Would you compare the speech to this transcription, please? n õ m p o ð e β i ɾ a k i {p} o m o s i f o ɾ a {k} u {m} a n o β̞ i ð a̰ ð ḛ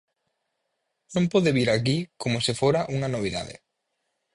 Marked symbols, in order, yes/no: no, no, no

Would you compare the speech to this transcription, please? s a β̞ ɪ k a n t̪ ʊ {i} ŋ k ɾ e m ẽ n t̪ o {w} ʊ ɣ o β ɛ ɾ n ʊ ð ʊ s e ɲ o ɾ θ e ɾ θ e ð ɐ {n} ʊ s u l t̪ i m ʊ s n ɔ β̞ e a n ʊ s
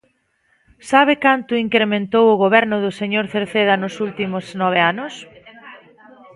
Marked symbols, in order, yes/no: yes, yes, yes

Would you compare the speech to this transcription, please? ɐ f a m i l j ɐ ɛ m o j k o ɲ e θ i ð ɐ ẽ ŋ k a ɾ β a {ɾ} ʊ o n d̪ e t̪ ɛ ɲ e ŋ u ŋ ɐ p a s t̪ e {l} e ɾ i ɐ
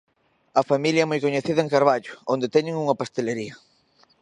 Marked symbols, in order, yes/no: no, yes

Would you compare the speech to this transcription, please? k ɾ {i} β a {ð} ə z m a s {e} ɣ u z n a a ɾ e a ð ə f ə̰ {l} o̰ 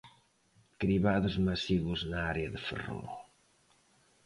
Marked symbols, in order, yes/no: yes, yes, no, no

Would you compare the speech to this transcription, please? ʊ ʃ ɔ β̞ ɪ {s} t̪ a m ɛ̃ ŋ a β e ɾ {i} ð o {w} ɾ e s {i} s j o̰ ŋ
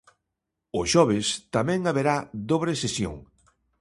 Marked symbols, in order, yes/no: yes, no, no, no

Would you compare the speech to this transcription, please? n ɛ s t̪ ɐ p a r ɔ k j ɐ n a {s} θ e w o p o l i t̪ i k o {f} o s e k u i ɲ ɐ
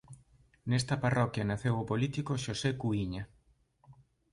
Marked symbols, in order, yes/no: no, no

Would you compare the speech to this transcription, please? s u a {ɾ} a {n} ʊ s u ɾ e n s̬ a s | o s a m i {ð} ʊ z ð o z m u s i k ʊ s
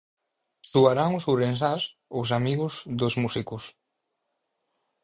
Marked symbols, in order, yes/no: yes, no, no

